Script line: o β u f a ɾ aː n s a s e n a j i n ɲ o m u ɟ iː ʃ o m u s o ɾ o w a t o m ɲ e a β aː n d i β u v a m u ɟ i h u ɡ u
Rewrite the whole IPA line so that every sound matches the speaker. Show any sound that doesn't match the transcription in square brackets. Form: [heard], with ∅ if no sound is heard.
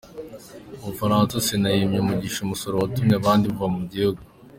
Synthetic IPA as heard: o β u f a ɾ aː n s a s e n a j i [m] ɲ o m u ɟ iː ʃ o m u s o ɾ o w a t [u] m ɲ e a β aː n d i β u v a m u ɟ i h u ɡ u